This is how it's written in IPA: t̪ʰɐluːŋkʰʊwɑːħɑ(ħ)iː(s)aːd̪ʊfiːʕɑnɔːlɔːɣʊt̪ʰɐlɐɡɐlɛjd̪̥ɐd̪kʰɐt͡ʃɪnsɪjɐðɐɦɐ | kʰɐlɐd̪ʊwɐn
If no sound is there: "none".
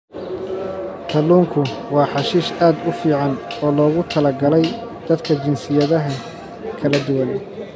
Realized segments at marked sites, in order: ʃ, ʃ

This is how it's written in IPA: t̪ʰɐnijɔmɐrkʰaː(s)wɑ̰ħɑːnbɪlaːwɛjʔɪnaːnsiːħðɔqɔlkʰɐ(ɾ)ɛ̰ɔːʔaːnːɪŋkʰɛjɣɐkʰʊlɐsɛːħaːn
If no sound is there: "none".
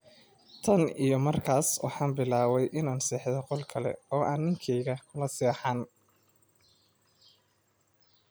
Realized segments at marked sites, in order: s, l

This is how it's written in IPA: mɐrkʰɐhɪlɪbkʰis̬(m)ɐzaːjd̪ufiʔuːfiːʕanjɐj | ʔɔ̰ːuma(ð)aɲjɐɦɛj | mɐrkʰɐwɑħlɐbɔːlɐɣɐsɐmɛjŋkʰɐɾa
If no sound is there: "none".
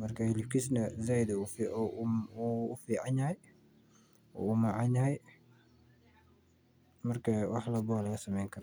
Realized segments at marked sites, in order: n, ʕ

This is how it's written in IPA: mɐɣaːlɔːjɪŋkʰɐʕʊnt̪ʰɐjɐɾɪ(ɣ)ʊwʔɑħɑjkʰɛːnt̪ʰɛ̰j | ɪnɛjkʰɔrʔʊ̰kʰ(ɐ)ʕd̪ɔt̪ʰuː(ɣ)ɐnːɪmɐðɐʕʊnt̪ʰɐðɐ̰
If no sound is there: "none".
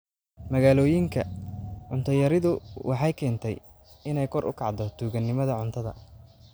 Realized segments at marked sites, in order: ð, ɑ, ɣ

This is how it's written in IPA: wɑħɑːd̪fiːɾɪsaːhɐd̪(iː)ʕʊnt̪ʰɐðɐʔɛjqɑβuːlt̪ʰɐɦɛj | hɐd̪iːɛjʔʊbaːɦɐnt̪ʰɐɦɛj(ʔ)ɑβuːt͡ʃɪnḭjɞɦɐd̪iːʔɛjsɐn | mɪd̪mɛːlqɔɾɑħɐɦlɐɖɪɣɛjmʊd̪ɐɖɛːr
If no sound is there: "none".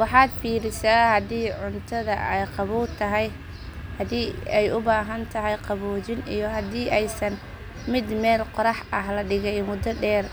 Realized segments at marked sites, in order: iː, q

